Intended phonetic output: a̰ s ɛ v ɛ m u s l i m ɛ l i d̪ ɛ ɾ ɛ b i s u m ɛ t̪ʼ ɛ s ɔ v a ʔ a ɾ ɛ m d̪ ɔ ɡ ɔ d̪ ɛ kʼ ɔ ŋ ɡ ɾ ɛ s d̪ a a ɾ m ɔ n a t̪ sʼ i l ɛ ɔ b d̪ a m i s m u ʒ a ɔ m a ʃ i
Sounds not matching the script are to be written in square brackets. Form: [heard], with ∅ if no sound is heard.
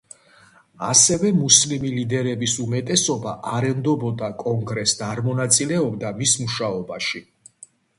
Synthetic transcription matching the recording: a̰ s ɛ v ɛ m u s l i m [i] l i d̪ ɛ ɾ ɛ b i s u m ɛ t̪ʼ ɛ s ɔ [b] a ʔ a ɾ ɛ m d̪ ɔ [b] ɔ d̪ [a] kʼ ɔ ŋ ɡ ɾ ɛ s d̪ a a ɾ m ɔ n a t̪ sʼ i l ɛ ɔ b d̪ a m i s m u [ʃ] a ɔ [b] a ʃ i